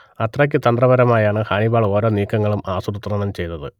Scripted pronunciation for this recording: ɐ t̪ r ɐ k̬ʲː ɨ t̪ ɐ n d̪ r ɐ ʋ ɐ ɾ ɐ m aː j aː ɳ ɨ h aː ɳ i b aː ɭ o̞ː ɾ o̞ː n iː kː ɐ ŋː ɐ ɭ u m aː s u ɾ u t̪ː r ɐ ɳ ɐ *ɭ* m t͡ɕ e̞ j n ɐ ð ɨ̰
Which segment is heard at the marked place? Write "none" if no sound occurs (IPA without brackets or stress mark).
none